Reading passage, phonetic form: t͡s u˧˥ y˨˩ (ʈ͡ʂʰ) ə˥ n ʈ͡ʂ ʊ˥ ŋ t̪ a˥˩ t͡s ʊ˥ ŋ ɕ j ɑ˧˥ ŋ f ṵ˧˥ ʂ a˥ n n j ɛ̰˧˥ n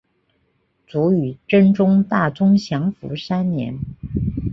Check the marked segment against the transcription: incorrect: ʈ͡ʂ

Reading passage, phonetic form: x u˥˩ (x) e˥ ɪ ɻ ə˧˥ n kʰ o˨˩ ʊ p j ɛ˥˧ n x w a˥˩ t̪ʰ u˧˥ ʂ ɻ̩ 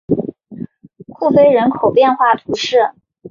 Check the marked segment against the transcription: incorrect: f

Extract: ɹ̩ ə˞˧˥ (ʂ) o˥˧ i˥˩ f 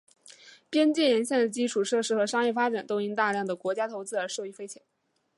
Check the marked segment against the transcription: correct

